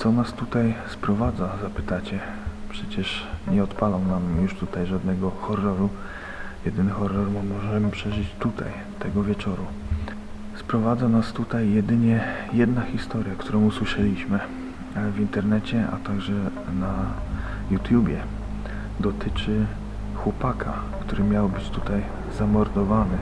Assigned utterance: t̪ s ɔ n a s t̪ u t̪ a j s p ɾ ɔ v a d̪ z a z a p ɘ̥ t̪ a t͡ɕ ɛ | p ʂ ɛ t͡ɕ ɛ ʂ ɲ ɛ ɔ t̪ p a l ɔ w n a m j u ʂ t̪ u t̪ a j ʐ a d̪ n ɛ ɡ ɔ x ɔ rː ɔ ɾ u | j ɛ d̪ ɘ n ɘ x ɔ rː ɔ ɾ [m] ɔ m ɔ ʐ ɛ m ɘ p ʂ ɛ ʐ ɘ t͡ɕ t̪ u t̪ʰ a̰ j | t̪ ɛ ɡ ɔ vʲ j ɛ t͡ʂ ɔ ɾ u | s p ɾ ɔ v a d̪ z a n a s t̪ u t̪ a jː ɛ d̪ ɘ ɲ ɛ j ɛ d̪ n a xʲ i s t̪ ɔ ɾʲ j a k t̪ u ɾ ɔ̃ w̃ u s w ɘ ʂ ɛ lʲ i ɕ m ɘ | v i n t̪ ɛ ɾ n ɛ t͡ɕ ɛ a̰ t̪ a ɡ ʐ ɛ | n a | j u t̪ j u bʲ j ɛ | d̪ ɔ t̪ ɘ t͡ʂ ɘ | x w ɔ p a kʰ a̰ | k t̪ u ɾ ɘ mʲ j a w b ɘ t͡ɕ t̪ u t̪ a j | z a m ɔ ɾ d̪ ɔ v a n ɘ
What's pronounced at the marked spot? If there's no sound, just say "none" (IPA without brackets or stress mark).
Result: m